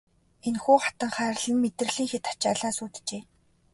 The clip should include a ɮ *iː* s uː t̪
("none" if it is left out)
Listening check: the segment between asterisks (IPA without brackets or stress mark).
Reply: aː